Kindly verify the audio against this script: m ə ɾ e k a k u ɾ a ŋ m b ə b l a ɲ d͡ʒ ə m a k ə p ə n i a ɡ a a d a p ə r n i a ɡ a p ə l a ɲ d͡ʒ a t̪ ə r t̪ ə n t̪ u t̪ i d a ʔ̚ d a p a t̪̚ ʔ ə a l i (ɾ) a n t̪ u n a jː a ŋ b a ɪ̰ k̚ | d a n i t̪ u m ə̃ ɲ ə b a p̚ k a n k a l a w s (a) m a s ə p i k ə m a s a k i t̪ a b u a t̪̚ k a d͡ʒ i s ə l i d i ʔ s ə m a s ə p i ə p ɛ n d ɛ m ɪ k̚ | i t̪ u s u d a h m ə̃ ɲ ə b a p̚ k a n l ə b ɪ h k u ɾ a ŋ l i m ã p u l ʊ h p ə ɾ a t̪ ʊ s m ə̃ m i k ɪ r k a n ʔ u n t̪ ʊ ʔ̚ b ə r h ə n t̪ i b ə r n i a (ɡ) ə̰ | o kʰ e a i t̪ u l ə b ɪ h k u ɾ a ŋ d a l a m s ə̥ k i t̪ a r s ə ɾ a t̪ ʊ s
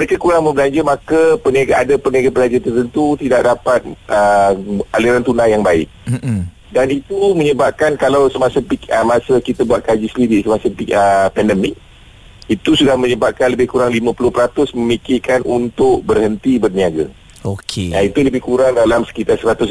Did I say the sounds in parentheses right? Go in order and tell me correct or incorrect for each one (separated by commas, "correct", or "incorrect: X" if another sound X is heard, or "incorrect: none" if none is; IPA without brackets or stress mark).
correct, incorrect: ə, correct